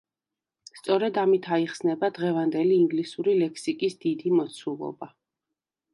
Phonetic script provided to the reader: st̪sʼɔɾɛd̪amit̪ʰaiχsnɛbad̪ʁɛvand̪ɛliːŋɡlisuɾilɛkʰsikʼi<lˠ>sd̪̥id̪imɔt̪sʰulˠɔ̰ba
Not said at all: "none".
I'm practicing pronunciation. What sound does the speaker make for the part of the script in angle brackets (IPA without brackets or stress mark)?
none